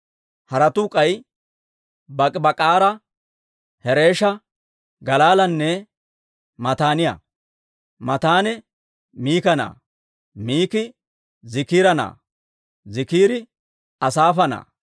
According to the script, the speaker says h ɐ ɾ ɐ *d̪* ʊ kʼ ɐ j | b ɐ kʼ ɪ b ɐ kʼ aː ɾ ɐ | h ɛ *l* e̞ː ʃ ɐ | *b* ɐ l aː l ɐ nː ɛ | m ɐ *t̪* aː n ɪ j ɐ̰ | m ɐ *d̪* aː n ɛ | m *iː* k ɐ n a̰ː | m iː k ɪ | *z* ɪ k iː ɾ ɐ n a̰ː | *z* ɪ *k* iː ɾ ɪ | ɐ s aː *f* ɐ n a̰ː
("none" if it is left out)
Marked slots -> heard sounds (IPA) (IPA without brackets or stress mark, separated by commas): t̪, ɾ, ɡ, t̪, t̪, iː, z, z, k, f